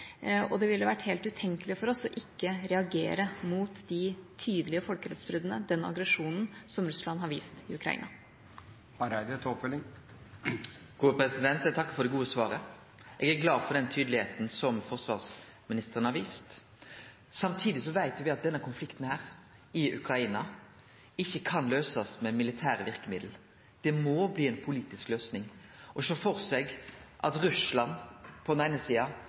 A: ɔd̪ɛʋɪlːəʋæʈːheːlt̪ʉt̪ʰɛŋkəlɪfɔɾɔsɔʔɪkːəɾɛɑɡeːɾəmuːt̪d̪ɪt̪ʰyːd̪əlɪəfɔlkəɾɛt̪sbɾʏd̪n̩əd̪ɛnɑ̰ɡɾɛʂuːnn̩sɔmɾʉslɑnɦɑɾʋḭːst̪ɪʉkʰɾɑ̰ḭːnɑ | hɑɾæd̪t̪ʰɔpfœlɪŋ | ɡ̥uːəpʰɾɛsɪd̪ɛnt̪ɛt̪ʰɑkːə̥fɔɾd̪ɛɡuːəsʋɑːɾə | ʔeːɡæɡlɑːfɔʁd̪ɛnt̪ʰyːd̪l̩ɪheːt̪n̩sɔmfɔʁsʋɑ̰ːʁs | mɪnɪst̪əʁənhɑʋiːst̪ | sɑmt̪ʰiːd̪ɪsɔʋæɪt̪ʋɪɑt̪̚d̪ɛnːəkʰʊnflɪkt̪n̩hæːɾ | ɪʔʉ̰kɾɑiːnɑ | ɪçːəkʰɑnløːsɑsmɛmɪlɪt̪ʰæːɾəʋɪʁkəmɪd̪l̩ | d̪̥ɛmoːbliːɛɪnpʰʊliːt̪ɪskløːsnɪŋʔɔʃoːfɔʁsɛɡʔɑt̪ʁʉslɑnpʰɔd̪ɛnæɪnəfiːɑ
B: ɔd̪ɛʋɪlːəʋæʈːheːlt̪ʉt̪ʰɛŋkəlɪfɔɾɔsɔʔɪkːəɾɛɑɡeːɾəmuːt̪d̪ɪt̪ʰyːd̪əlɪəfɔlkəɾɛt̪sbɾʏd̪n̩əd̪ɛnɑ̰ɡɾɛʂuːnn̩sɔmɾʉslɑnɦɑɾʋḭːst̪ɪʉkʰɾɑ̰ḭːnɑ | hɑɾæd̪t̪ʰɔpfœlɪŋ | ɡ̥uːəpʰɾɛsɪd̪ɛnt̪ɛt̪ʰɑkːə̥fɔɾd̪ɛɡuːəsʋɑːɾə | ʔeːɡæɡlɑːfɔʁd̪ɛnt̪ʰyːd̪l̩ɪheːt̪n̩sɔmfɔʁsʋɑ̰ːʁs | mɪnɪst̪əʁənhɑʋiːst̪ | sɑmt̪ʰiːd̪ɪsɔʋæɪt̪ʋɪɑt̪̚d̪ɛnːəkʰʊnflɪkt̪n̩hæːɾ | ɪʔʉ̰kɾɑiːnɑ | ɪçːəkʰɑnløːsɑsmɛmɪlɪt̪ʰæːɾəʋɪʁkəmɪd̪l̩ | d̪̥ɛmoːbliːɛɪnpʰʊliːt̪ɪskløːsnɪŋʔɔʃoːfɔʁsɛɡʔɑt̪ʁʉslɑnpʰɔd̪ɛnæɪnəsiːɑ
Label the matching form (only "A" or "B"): B